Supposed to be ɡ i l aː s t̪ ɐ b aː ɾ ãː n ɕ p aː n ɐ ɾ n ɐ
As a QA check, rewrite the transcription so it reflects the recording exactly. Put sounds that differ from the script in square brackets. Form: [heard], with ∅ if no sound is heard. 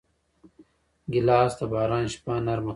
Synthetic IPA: ɡ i l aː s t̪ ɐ b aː ɾ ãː n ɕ p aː n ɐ ɾ [m] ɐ